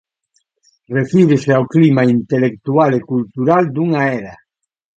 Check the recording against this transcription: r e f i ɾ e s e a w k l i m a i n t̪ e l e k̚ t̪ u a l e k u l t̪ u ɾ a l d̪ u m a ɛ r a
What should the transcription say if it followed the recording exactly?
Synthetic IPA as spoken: r e f i ɾ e s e a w k l i m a i n t̪ e l e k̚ t̪ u a l e k u l t̪ u ɾ a l d̪ u ŋ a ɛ ɾ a